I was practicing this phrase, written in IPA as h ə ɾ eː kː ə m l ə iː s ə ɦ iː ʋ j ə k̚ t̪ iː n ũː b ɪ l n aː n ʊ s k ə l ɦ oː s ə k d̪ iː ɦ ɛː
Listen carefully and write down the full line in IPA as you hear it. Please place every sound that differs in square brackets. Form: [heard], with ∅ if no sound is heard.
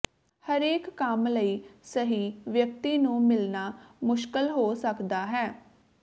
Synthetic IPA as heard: h ə ɾ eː kː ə m l ə iː s ə ɦ iː ʋ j ə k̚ t̪ iː n ũː [m] ɪ l n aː [m] ʊ [ʃ] k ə l ɦ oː s ə k d̪ [aː] ɦ ɛː